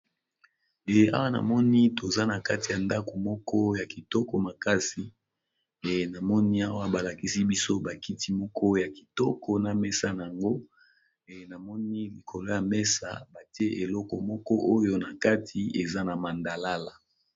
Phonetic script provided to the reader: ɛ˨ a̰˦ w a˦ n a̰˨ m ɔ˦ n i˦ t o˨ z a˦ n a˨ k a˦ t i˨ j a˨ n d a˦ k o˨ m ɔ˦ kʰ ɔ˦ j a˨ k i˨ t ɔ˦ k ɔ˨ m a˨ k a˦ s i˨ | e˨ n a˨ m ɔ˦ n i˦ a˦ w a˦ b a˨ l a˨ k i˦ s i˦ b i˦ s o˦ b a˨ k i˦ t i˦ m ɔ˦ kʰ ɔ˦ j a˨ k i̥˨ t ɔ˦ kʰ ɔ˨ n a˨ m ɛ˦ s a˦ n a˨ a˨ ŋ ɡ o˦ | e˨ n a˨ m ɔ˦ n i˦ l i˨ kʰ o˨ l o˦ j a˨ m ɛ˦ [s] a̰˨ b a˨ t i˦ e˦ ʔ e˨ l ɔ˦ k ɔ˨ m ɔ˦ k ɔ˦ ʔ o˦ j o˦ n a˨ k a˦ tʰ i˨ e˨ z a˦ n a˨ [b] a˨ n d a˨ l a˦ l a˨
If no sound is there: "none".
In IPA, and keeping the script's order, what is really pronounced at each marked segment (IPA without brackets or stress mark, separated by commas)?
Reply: s, m